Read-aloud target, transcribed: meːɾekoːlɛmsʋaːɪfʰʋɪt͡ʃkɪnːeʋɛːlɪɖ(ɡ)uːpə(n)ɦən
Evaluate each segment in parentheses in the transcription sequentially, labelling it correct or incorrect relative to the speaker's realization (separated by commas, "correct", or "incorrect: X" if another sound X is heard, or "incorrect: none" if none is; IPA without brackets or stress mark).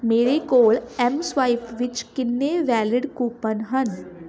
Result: incorrect: k, correct